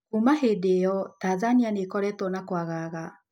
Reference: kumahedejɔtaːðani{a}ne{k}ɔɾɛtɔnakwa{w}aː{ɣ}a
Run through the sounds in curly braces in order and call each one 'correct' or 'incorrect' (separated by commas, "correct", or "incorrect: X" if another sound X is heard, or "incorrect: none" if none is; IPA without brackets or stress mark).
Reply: correct, correct, incorrect: ɣ, correct